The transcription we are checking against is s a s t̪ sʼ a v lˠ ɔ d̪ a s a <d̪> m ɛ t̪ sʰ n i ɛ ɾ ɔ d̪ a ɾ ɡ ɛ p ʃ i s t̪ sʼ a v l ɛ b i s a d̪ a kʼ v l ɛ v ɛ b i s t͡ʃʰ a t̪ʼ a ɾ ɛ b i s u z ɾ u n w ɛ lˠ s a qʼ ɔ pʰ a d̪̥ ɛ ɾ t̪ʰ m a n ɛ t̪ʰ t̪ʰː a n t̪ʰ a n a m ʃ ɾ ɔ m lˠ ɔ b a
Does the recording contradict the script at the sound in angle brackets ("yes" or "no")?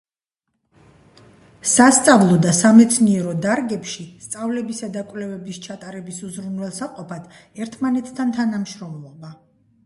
yes